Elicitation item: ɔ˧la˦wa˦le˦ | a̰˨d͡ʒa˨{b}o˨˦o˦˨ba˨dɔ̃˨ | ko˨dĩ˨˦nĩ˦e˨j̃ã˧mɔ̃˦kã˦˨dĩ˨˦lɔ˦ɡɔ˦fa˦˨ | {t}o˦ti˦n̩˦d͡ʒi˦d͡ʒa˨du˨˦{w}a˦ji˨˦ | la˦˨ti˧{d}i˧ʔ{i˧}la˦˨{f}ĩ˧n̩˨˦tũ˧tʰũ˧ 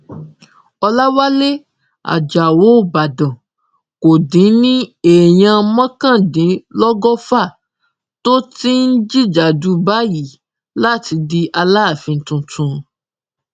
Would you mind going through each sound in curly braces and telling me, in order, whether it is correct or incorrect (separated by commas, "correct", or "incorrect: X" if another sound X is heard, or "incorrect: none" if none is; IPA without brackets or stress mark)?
incorrect: w, correct, incorrect: b, correct, incorrect: a˧, correct